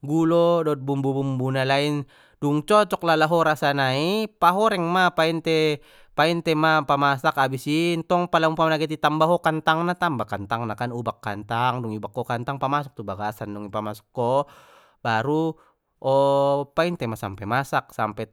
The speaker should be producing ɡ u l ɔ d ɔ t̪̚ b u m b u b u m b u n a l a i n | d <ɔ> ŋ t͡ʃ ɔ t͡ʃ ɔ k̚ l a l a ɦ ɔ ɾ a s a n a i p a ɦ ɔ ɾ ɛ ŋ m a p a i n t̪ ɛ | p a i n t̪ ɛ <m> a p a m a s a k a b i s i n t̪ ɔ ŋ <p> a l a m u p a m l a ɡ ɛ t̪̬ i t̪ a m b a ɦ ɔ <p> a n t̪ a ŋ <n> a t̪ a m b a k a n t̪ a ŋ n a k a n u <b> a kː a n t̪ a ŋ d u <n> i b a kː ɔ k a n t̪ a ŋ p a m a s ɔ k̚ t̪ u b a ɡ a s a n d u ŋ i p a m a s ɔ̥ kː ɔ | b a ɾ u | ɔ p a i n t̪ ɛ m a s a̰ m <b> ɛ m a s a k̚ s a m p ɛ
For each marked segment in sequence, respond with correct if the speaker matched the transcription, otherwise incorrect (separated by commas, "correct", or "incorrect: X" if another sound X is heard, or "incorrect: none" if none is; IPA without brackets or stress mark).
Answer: incorrect: u, correct, correct, incorrect: k, correct, correct, incorrect: ŋ, incorrect: p